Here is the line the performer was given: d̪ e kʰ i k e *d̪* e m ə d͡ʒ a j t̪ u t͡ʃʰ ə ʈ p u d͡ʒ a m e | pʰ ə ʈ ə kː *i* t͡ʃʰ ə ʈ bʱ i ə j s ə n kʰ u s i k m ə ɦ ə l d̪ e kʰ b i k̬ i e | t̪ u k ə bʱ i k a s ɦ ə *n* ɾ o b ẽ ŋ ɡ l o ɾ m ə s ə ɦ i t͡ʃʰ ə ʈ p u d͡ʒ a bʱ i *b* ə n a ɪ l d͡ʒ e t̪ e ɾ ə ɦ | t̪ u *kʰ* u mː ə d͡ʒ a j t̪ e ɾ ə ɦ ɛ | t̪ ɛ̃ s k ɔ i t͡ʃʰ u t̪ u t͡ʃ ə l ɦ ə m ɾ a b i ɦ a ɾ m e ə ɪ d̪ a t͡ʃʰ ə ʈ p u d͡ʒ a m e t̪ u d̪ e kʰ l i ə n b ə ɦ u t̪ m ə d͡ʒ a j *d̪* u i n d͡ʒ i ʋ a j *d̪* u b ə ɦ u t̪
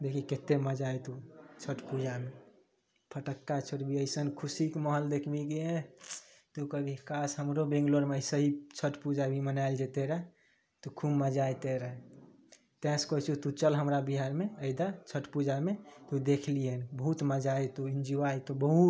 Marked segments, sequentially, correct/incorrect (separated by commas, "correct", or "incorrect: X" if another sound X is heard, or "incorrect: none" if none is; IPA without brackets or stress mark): incorrect: t̪, incorrect: a, incorrect: m, incorrect: m, correct, incorrect: t̪, incorrect: t̪